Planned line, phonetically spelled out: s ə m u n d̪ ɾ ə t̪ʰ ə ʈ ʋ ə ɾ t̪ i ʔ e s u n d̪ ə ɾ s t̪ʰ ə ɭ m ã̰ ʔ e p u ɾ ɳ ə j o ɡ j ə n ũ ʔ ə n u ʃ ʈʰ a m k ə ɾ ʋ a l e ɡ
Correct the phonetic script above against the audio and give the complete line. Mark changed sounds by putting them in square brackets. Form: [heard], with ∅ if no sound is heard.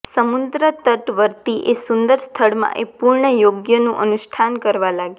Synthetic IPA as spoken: s ə m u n d̪ ɾ ə [t̪] ə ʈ ʋ ə ɾ t̪ i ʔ e s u n d̪ ə ɾ s t̪ʰ ə ɭ m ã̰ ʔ e p u ɾ ɳ ə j o ɡ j ə n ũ ʔ ə n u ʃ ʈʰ a [n] k ə ɾ ʋ a l [a] ɡ